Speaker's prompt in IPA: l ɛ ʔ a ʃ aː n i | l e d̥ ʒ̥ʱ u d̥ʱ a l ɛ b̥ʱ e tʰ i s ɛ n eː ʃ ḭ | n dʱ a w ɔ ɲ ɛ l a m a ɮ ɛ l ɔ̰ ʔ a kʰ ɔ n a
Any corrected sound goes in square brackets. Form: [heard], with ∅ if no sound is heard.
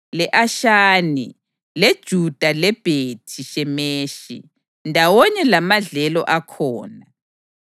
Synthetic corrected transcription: l ɛ ʔ a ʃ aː n i | l e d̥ ʒ̥ʱ u d̥ʱ a l ɛ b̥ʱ e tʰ i [ʃ] ɛ [m] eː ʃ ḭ | n dʱ a w ɔ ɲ ɛ l a m a ɮ ɛ l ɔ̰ ʔ a kʰ [ɔː] n a